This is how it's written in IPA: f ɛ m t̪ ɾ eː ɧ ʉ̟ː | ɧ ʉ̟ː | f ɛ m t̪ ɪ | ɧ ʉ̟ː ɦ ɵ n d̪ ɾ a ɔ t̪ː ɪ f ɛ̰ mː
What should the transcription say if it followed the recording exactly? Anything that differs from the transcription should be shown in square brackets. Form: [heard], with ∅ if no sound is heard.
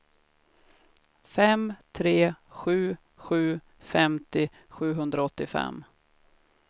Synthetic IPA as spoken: f ɛ m [t̪ʰ] ɾ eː ɧ ʉ̟ː | ɧ ʉ̟ː | f ɛ m t̪ ɪ | ɧ ʉ̟ː ɦ ɵ n d̪ ɾ a ɔ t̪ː ɪ f ɛ̰ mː